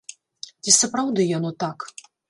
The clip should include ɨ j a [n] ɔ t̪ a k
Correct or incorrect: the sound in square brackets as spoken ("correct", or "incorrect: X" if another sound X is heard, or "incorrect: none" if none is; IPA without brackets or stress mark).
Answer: correct